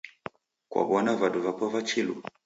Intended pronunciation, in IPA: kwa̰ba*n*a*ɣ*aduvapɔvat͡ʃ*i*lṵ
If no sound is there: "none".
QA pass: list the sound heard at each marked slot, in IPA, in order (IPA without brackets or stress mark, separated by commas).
n, v, i